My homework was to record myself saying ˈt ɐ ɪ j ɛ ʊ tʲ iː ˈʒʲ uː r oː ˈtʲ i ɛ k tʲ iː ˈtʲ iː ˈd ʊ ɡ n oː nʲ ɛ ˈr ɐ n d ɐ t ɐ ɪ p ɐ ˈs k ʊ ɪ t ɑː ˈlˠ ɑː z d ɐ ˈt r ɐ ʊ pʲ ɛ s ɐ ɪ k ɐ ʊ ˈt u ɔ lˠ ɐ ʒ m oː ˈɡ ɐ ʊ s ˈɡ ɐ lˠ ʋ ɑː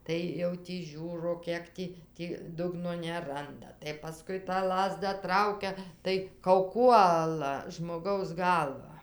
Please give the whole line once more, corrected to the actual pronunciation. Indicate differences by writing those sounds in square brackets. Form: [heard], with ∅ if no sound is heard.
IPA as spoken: ˈt ɐ ɪ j ɛ ʊ tʲ iː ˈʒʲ uː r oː [ˈkʲ] i ɛ k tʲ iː ˈtʲ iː ˈd ʊ ɡ n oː nʲ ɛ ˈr ɐ n d ɐ t ɐ ɪ p ɐ ˈs k ʊ ɪ t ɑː ˈlˠ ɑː z d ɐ ˈt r ɐ ʊ [kʲ] ɛ [t] ɐ ɪ k ɐ ʊ [ˈk] u ɔ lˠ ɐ ʒ m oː ˈɡ ɐ ʊ s ˈɡ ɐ lˠ ʋ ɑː